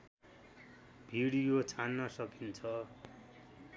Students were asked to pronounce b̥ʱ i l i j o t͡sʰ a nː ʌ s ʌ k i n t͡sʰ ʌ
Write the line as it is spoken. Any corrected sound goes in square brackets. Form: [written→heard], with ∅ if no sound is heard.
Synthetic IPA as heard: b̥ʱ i [l→ɽ] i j o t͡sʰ a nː ʌ s ʌ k i n t͡sʰ ʌ